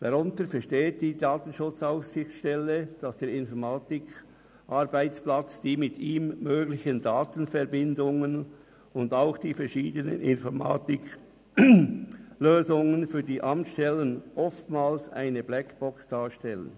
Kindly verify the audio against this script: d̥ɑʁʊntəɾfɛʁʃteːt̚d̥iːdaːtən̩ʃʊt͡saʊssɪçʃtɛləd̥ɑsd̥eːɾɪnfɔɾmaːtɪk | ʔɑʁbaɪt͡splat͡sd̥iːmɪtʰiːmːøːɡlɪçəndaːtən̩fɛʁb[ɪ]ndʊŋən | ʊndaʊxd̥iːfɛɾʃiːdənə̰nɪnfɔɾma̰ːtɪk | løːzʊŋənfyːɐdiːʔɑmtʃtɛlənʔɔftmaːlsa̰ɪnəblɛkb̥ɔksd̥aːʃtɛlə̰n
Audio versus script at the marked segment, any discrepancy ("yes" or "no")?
no